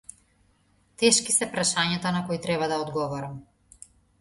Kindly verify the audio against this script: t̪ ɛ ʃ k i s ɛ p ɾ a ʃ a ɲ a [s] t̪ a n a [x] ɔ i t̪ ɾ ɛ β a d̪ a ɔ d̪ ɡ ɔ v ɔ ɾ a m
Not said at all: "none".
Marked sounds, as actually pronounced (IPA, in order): none, k

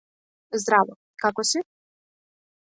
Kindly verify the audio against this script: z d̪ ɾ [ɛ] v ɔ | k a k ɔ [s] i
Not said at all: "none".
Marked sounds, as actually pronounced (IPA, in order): a, s

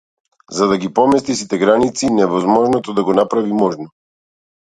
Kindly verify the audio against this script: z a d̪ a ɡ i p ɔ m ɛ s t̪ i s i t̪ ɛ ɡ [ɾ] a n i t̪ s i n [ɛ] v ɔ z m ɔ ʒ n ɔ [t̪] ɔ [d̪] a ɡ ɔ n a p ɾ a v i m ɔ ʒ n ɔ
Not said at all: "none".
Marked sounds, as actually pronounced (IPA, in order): ɾ, ɛ, t̪, d̪

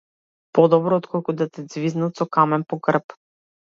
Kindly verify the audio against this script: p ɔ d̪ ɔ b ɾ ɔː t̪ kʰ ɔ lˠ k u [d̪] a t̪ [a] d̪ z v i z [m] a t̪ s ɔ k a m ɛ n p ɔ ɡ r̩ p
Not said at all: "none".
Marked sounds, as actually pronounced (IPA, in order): d̪, ɛ, n

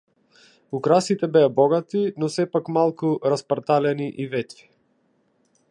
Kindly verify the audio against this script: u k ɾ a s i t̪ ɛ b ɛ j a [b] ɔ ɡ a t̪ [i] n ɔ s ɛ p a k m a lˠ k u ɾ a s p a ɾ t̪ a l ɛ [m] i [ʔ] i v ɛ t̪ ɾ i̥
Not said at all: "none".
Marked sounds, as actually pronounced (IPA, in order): b, i, n, ʔ

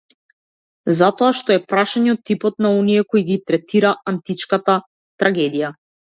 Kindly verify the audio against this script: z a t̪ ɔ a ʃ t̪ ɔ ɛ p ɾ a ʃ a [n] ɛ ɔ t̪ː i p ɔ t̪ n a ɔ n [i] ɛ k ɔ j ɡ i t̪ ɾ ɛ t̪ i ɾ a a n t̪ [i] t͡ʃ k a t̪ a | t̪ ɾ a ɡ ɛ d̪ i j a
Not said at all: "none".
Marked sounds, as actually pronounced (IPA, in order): ɲ, i, i

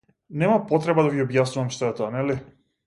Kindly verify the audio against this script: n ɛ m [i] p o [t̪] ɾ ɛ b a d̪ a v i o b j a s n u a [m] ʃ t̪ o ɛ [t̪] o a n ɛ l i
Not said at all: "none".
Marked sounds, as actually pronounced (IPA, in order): a, t̪, m, t̪

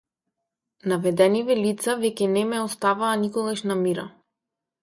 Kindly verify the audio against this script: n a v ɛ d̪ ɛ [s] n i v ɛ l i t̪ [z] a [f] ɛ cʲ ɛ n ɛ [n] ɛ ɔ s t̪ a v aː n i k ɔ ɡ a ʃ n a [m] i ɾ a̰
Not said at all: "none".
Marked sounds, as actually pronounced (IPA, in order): none, s, v, m, m

